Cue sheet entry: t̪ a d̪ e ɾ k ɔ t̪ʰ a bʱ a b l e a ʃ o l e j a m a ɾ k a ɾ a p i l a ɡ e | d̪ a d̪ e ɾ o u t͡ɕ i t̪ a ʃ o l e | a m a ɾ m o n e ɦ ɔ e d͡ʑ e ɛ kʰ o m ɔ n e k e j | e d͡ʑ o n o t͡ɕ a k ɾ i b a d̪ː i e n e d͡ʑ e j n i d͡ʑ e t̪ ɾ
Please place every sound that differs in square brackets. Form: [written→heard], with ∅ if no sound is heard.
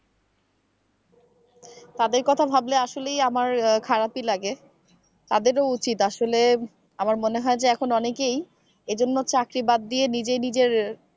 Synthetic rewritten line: t̪ a d̪ e ɾ k ɔ t̪ʰ a bʱ a b l e a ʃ o l e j a m a ɾ [k→kʰ] a ɾ a p i l a ɡ e | [d̪→t̪] a d̪ e ɾ o u t͡ɕ i t̪ a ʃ o l e | a m a ɾ m o n e ɦ ɔ e d͡ʑ e ɛ kʰ o [m→n] ɔ n e k e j | e d͡ʑ o [n→nː] o t͡ɕ a k ɾ i b a d̪ː i e n [e→i] d͡ʑ e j n i d͡ʑ e [t̪→∅] ɾ